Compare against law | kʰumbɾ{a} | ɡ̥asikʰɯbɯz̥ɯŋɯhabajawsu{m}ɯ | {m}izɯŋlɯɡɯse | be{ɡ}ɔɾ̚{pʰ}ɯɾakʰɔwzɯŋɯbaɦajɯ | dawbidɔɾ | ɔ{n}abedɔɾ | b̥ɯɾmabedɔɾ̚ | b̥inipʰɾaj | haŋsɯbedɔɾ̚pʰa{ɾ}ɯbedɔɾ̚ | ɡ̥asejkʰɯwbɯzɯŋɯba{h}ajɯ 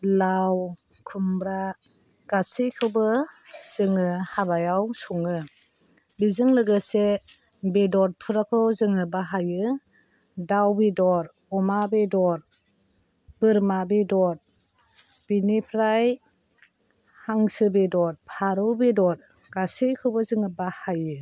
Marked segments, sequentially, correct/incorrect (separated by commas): correct, incorrect, incorrect, incorrect, correct, incorrect, correct, correct